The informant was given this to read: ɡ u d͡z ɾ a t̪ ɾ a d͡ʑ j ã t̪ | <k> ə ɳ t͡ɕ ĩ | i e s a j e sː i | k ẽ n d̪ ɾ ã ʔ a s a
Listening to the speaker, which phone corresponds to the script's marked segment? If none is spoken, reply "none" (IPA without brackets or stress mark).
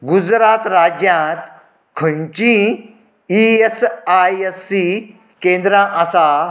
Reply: kʰ